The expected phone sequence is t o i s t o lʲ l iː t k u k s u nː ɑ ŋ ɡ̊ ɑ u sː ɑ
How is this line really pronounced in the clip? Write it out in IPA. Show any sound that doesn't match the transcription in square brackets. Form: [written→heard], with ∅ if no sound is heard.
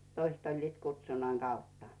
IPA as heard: t o i s t o lʲ l iː t k u [k→t] s u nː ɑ ŋ ɡ̊ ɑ u [sː→tː] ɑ